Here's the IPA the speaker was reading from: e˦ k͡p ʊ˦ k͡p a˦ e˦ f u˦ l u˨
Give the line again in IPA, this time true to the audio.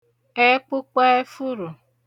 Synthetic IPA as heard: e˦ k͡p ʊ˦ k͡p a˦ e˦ f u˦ ɾ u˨